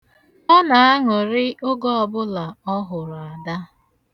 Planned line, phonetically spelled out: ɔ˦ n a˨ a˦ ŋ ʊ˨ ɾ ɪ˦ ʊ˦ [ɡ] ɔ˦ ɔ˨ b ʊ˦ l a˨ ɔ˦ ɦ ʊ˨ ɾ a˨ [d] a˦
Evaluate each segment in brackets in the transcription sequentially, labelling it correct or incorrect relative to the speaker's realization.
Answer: correct, correct

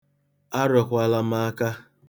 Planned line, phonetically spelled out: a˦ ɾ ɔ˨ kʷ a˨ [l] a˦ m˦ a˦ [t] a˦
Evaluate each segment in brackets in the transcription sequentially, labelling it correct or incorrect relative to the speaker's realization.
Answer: correct, incorrect: k

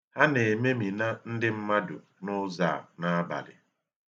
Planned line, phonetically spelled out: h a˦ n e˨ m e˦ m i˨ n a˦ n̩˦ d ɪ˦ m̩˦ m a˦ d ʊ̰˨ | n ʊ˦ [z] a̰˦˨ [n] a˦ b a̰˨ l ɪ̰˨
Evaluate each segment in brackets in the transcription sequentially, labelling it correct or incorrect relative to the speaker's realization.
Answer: correct, correct

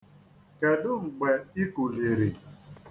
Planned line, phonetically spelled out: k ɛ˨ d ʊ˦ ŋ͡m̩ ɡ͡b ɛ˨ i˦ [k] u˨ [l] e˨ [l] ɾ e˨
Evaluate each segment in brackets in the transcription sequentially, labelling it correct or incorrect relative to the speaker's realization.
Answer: correct, correct, incorrect: none

